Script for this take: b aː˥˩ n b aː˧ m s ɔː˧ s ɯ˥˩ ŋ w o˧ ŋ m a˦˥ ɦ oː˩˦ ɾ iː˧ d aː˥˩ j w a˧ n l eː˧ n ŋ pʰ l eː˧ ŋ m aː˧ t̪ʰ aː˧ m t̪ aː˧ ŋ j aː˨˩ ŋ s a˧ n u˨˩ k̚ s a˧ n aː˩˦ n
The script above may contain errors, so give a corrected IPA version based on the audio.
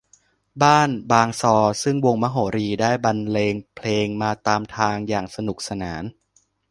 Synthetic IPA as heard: b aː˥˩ n b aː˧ ŋ s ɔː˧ s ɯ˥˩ ŋ w o˧ ŋ m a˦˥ ɦ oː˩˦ ɾ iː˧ d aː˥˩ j b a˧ n l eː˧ ŋ pʰ l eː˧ ŋ m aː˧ t̪ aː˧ m t̪ʰ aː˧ ŋ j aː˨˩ ŋ s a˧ n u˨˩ k̚ s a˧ n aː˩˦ n